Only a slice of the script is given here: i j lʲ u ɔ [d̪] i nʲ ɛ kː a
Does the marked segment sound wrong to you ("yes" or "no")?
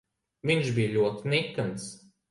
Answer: yes